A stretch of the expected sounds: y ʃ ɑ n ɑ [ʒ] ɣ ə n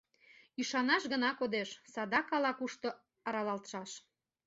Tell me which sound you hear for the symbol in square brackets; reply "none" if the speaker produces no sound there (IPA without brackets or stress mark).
ʃ